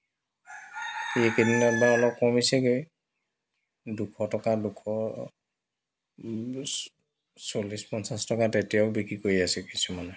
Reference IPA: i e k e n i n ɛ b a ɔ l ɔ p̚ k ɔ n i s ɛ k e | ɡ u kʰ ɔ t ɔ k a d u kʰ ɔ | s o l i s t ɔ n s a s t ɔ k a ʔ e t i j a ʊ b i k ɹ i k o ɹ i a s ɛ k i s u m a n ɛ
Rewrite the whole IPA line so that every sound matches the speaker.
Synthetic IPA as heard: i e k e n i n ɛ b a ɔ l ɔ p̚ k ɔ m i s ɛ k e | d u kʰ ɔ t ɔ k a d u kʰ ɔ | s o l i s p ɔ n s a s t ɔ k a t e t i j a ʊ b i k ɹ i k o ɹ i a s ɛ k i s u m a n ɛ